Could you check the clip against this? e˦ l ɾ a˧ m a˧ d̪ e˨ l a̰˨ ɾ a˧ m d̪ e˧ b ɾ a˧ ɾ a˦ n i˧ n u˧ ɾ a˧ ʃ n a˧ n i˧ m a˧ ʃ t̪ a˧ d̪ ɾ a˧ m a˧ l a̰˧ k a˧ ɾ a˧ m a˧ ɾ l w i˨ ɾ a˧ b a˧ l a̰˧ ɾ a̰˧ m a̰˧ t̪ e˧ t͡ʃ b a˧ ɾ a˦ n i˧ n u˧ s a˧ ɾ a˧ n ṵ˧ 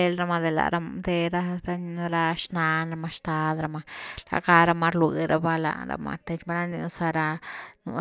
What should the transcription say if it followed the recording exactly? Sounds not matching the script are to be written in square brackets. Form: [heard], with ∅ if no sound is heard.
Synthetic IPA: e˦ l ɾ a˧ m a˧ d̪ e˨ l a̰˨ ɾ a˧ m d̪ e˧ [∅] ɾ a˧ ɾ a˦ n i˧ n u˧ ɾ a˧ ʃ n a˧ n [a˧] m a˧ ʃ t̪ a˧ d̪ ɾ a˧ m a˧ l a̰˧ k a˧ ɾ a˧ m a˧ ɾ l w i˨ ɾ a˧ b a˧ l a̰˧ ɾ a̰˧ m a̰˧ t̪ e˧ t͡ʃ b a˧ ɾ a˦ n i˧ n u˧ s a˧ ɾ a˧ n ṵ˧